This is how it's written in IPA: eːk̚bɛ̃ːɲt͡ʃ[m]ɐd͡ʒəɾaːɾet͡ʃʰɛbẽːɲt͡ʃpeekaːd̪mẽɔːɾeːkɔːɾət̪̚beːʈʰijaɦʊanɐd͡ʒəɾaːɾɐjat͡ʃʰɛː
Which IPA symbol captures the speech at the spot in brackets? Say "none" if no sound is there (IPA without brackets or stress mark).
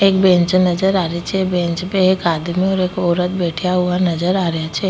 n